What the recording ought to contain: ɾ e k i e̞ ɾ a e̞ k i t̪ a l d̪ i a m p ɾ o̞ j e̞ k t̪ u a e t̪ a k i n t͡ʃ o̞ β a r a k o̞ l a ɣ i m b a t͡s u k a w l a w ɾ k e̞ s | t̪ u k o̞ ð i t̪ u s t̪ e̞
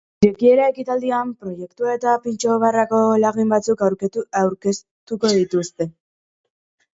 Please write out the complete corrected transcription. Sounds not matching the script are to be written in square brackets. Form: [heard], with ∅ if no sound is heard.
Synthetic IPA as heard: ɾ e k i e̞ ɾ a e̞ k i t̪ a l d̪ i a m p ɾ o̞ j e̞ k t̪ u a e t̪ a [p] i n t͡ʃ o̞ β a r a k o̞ l a ɣ i m b a t͡s u k a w [ɾ] a w ɾ k e̞ s | t̪ u k o̞ ð i t̪ u s t̪ e̞

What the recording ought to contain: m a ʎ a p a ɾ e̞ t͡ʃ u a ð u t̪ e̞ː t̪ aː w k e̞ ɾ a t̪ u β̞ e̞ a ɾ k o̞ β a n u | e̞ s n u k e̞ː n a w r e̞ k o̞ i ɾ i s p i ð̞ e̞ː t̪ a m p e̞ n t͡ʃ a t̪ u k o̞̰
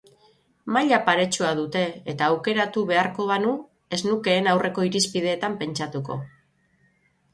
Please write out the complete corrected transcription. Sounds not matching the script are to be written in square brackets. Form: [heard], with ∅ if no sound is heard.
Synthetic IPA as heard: m a ʎ a p a ɾ e̞ t͡ʃ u a ð u t̪ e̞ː t̪ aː w k e̞ ɾ a t̪ u β̞ e̞ a ɾ k o̞ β a n u | e̞ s n u k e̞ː n a w r e̞ k o̞ i ɾ i s p i ð̞ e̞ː t̪ a m p e̞ n t͡ʃ a t̪ u k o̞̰

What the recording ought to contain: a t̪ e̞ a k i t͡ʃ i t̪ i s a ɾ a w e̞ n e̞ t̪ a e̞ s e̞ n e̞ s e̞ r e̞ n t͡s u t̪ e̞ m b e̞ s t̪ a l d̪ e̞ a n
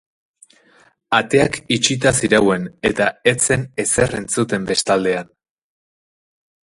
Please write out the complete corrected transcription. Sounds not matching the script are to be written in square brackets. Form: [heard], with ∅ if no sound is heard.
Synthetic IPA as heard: a t̪ e̞ a k i t͡ʃ i t̪ [a] s [i] ɾ a w e̞ n e̞ t̪ a e̞ [t͡s] e̞ n e̞ s e̞ r e̞ n t͡s u t̪ e̞ m b e̞ s t̪ a l d̪ e̞ a n

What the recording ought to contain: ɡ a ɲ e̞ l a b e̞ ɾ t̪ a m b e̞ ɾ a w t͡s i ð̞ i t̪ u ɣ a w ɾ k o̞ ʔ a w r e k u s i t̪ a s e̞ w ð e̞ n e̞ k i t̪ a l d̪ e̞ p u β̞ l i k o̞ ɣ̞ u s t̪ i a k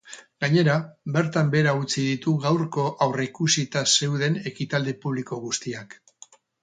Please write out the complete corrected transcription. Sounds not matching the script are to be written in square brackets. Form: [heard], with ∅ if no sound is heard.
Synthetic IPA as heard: ɡ a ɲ e̞ [ɾ] a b e̞ ɾ t̪ a m b e̞ ɾ a [u] t͡s i ð̞ i t̪ u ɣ a w ɾ k o̞ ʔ a w r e k u s i t̪ a s e̞ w ð e̞ n e̞ k i t̪ a l d̪ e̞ p u β̞ l i k o̞ ɣ̞ u s t̪ i a k

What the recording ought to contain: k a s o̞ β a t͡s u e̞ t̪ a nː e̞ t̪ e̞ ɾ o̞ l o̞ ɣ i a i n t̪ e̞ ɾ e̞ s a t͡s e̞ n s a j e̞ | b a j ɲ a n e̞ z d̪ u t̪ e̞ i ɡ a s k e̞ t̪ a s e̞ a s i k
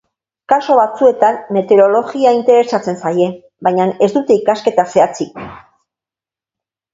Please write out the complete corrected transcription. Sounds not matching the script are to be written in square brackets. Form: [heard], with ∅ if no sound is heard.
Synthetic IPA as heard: k a s o̞ β a t͡s u e̞ t̪ a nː e̞ t̪ e̞ ɾ o̞ l o̞ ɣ i a i n t̪ e̞ ɾ e̞ s a t͡s e̞ n s a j e̞ | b a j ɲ a n e̞ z d̪ u t̪ e̞ i [k] a s k e̞ t̪ a s e̞ a [t͡s] i k

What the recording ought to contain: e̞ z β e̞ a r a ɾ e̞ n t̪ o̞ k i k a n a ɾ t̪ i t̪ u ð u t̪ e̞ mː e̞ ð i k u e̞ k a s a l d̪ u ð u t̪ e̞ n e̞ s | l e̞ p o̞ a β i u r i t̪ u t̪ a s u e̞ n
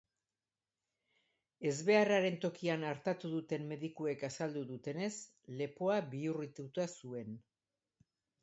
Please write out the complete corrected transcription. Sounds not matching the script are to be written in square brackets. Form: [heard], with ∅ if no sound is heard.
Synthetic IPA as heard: e̞ z β e̞ a r a ɾ e̞ n t̪ o̞ k i [∅] a n a ɾ t̪ [a] t̪ u ð u t̪ e̞ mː e̞ ð i k u e̞ k a s a l d̪ u ð u t̪ e̞ n e̞ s | l e̞ p o̞ a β i u r i t̪ u t̪ a s u e̞ n

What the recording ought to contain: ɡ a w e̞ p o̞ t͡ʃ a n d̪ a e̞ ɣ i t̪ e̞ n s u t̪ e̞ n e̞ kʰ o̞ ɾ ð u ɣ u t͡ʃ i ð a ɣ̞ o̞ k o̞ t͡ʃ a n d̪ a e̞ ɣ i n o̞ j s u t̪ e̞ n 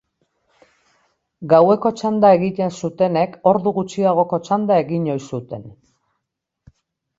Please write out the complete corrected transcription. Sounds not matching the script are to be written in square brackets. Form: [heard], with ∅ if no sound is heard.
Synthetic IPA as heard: ɡ a w e̞ [k] o̞ t͡ʃ a n d̪ a e̞ ɣ i t̪ e̞ n s u t̪ e̞ n e̞ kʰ o̞ ɾ ð u ɣ u t͡ʃ i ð a ɣ̞ o̞ k o̞ t͡ʃ a n d̪ a e̞ ɣ i [ɲ] o̞ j s u t̪ e̞ n

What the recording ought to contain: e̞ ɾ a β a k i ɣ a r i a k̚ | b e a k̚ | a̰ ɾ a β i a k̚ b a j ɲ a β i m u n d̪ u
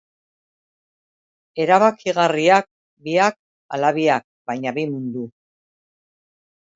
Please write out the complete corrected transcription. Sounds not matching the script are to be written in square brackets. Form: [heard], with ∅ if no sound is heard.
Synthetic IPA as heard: e̞ ɾ a β a k i ɣ a r i a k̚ | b [i] a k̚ | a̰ [l] a β i a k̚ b a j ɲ a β i m u n d̪ u

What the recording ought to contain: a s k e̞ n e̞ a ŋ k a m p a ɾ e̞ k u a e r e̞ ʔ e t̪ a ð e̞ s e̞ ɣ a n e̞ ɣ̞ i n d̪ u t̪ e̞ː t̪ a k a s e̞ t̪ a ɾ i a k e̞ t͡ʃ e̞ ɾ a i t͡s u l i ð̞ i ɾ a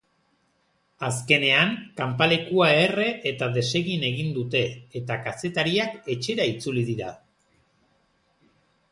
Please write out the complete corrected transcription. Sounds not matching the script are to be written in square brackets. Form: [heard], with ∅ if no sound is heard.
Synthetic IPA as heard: a s k e̞ n e̞ a ŋ k a m p a [l] e̞ k u a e r e̞ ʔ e t̪ a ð e̞ s e̞ ɣ [i] n e̞ ɣ̞ i n d̪ u t̪ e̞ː t̪ a k a s e̞ t̪ a ɾ i a k e̞ t͡ʃ e̞ ɾ a i t͡s u l i ð̞ i ɾ a

